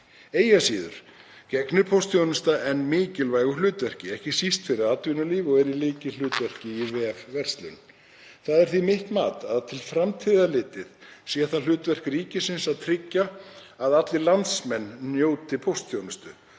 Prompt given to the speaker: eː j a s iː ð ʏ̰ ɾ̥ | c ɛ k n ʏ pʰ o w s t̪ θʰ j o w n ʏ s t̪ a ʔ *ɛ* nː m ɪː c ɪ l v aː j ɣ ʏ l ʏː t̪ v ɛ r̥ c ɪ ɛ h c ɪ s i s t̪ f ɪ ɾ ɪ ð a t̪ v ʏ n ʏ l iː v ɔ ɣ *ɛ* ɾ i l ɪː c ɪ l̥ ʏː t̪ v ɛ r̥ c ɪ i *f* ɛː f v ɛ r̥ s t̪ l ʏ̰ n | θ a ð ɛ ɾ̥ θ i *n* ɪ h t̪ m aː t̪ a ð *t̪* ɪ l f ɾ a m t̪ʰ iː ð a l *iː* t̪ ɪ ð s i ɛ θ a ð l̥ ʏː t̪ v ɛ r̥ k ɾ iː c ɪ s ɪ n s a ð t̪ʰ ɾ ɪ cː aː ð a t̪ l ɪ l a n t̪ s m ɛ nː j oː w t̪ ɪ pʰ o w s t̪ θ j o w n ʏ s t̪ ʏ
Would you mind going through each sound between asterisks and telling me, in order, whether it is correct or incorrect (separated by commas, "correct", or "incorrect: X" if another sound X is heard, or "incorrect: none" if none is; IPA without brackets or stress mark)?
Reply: correct, correct, incorrect: v, incorrect: m, incorrect: t̪ʰ, incorrect: ɪː